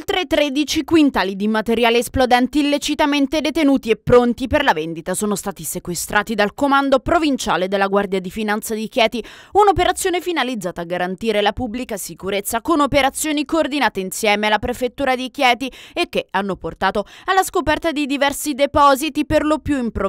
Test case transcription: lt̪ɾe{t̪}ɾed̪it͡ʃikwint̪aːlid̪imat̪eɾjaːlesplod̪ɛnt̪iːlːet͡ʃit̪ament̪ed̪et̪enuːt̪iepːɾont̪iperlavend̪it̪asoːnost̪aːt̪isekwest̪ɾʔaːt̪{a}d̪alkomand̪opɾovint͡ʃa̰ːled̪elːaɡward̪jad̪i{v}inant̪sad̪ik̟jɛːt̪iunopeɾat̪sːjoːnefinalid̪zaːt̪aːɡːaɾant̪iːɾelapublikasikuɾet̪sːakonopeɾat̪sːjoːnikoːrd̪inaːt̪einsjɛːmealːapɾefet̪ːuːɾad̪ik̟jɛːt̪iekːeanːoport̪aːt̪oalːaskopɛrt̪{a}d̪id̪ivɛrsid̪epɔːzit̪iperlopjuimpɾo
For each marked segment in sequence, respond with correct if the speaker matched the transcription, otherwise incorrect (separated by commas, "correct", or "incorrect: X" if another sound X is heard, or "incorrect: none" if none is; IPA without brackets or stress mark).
correct, incorrect: i, incorrect: f, correct